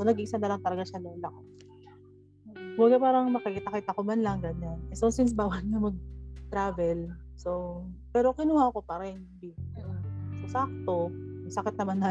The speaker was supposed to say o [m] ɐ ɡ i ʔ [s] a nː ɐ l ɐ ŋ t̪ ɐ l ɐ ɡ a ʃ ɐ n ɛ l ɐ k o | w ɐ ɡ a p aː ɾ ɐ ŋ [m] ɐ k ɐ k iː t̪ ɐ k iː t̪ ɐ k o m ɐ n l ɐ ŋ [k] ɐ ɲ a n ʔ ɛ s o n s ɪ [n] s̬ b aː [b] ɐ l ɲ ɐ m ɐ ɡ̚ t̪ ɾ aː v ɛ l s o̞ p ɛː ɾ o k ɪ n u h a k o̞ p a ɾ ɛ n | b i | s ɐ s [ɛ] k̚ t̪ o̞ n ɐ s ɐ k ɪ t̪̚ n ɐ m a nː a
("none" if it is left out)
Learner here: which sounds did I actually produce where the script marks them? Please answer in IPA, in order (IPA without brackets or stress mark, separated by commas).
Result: n, s, m, ɡ, n, w, a